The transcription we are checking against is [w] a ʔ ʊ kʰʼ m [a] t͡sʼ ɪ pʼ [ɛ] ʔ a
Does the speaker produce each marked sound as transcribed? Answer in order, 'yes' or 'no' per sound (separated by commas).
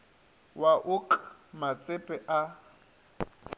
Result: yes, yes, yes